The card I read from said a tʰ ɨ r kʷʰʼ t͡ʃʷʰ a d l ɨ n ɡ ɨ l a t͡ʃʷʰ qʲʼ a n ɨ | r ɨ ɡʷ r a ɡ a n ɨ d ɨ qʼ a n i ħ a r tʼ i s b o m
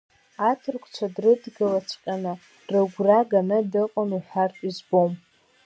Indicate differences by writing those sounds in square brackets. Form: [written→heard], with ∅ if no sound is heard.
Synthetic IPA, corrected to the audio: a tʰ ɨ r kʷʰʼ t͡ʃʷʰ a d [l→r] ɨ [n→d] ɡ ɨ l a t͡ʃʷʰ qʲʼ a n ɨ | r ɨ ɡʷ r a ɡ a n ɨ d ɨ qʼ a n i ħ a r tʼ i [s→z] b o m